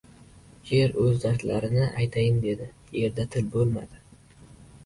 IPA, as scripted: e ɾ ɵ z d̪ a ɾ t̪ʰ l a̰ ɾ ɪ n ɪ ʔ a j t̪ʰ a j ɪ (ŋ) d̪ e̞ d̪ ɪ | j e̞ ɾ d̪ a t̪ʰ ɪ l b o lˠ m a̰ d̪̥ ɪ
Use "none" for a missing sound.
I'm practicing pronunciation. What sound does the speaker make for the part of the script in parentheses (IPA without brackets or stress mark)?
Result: m